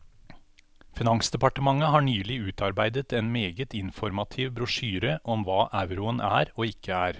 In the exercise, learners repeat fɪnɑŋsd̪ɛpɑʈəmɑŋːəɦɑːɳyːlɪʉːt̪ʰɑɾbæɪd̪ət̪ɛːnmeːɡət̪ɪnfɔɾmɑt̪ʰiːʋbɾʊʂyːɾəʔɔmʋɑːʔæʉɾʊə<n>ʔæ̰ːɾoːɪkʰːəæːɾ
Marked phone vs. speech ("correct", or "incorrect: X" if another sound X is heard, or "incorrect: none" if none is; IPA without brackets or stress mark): correct